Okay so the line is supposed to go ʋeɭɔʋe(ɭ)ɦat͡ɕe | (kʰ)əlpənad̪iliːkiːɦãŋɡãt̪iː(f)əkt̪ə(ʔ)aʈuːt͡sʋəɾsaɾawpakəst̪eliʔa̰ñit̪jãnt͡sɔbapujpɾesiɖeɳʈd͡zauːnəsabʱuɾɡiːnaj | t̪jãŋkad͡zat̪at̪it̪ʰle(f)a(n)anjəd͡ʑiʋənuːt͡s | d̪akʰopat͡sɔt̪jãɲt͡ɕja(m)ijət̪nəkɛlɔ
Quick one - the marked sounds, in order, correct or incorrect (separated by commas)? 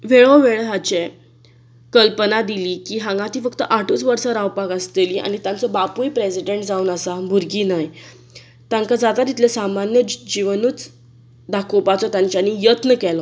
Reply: correct, incorrect, correct, correct, incorrect, incorrect, incorrect